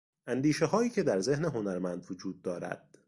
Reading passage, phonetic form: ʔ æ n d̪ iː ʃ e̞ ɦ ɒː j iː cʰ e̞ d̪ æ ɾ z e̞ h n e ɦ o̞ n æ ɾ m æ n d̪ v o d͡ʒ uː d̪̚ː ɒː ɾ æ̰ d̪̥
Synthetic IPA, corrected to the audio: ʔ æ n d̪ iː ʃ e̞ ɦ ɒː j iː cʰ e̞ d̪ æ ɾ z e̞ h n e ɦ o̞ n æ ɾ m æ n d̪ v o d͡ʒ uː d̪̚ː ɒː ɾ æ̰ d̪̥

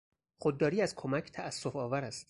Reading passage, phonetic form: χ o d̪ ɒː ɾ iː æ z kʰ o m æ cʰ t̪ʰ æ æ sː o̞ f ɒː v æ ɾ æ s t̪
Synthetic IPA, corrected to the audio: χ o d̪ː ɒː ɾ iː æ z kʰ o m æ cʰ t̪ʰ æ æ sː o̞ f ɒː v æ ɾ æ s t̪

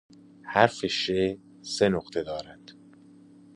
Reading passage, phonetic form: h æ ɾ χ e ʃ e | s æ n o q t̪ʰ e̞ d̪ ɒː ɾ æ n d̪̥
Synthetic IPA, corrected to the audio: h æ ɾ f e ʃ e | s e n o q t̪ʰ e̞ d̪ ɒː ɾ æ n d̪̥

